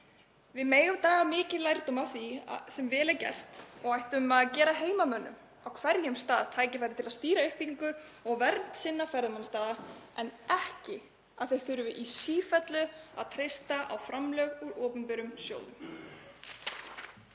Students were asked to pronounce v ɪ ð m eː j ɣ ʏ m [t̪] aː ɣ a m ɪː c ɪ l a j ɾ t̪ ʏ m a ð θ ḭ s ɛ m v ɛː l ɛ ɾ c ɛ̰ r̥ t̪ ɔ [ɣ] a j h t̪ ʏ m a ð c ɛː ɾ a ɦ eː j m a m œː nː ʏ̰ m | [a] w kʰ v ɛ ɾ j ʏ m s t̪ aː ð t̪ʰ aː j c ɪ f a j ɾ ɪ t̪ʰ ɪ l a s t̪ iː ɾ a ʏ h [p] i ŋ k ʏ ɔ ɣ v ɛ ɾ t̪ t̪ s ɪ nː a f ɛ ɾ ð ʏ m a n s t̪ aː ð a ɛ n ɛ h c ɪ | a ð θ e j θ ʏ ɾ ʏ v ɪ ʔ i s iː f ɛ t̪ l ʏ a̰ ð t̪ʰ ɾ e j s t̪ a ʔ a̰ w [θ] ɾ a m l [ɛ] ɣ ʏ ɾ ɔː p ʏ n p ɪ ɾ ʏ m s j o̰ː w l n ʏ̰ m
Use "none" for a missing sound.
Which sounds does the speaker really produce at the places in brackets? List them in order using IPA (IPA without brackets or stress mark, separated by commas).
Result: t̪, ɣ, a, p, f, œ